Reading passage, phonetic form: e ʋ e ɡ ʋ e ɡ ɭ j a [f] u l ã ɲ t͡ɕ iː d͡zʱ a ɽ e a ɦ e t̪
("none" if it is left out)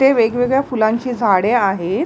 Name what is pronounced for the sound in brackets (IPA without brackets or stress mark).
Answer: f